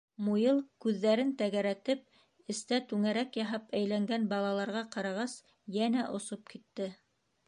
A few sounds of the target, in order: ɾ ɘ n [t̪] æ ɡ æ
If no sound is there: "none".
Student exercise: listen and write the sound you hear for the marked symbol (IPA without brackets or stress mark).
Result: t̪